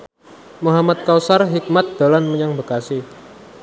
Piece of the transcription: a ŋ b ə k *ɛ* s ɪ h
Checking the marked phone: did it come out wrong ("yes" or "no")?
yes